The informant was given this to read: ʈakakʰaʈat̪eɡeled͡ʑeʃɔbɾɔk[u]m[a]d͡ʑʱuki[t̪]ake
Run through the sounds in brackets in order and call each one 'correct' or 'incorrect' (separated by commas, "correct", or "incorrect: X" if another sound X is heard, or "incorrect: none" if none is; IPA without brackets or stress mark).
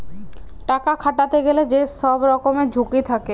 incorrect: o, incorrect: e, incorrect: t̪ʰ